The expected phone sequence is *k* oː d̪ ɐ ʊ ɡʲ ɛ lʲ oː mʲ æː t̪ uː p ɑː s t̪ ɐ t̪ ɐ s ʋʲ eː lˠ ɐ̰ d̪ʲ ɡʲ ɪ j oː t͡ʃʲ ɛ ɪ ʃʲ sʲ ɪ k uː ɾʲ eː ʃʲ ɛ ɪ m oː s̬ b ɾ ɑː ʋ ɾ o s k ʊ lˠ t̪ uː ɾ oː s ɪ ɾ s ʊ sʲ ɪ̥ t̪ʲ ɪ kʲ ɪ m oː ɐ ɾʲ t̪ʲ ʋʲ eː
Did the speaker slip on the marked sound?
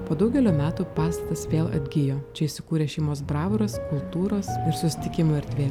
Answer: yes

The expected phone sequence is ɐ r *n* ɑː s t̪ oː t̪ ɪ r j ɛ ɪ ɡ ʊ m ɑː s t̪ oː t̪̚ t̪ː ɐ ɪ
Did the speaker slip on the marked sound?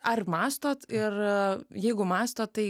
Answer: yes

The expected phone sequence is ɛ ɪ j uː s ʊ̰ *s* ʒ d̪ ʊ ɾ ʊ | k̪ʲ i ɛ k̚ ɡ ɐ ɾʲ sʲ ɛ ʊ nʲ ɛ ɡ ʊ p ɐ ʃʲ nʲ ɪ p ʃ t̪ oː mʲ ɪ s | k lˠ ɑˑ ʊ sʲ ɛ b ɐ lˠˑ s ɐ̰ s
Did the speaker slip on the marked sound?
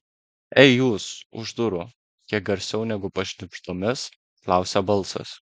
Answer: yes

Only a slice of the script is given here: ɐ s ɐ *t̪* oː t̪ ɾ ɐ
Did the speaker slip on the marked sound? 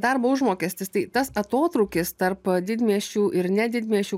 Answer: no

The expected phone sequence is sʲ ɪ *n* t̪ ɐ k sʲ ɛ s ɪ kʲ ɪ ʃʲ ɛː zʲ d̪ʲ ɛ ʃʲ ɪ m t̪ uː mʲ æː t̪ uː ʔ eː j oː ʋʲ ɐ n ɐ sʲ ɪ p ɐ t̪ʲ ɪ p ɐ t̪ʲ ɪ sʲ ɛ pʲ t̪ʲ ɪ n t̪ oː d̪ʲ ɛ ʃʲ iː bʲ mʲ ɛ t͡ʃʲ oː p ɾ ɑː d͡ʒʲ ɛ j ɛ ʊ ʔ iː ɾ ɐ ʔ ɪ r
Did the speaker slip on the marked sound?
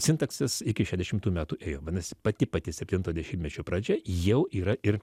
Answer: no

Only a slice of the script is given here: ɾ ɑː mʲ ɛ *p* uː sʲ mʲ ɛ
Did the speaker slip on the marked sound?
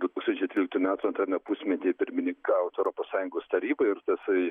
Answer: no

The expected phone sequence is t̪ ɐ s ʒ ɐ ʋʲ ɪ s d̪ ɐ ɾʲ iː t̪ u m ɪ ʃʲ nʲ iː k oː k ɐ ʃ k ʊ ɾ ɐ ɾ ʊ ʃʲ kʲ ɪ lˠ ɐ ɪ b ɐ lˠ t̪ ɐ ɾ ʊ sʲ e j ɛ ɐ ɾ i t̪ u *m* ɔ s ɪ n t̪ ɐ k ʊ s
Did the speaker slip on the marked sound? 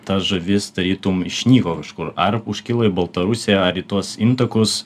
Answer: yes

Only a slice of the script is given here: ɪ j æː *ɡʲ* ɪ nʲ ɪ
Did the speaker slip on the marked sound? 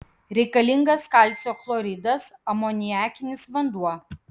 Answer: yes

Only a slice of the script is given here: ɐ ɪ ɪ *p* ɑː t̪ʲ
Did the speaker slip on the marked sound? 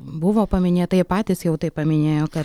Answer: no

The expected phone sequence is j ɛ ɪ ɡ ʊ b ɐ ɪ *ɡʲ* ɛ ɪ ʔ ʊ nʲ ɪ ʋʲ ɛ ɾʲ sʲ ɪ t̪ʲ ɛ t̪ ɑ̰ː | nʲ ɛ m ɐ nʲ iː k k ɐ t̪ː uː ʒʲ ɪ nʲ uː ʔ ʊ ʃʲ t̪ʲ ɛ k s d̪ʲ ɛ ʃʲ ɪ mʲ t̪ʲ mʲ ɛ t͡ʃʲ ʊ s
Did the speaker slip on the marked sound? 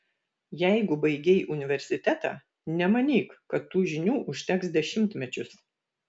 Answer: no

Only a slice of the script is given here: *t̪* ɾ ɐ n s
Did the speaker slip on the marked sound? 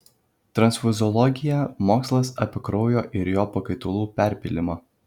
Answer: no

